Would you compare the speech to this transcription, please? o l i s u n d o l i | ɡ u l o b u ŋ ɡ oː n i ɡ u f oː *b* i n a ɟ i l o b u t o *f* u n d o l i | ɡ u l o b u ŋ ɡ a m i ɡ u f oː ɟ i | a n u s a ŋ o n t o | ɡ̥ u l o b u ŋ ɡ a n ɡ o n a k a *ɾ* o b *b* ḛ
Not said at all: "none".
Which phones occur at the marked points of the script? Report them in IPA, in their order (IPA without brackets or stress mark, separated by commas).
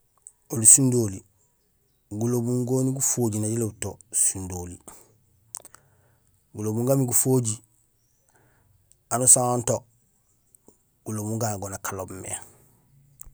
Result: ɟ, s, l, m